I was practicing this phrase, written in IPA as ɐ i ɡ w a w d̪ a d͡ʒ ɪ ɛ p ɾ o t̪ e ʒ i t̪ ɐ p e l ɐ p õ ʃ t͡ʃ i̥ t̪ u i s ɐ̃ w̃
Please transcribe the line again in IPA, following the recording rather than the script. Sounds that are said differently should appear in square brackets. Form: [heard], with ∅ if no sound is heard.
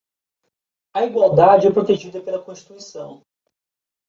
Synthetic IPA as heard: ɐ i ɡ w a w d̪ a d͡ʒ ɪ ɛ p ɾ o t̪ e ʒ i [d̪] ɐ p e l ɐ [k] õ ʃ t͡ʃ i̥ t̪ u i s ɐ̃ w̃